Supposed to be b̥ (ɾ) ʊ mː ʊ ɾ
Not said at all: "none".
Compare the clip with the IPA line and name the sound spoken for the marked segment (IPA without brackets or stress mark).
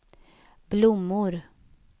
l